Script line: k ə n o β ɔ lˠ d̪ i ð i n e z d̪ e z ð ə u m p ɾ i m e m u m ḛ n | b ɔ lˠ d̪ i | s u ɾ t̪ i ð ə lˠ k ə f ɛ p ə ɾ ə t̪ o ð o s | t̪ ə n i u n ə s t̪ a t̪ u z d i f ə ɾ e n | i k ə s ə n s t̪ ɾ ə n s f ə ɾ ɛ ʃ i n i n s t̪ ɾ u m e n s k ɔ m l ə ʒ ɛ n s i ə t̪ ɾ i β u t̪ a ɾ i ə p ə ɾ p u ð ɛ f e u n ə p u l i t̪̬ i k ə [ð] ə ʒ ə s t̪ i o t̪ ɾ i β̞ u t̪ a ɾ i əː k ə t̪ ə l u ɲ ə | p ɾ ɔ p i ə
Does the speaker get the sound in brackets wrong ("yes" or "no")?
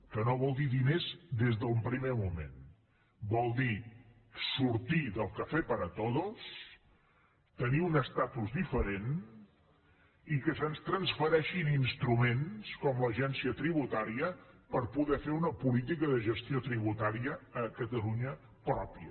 no